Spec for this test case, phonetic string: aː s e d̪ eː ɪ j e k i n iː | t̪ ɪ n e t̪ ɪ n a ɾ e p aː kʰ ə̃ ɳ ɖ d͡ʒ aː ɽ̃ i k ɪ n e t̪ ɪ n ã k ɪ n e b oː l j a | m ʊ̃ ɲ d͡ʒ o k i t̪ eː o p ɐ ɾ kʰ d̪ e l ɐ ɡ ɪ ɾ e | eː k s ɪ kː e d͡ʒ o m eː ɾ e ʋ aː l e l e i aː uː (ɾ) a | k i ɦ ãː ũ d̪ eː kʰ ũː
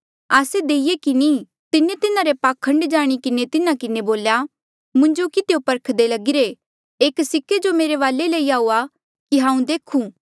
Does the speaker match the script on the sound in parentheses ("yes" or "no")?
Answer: no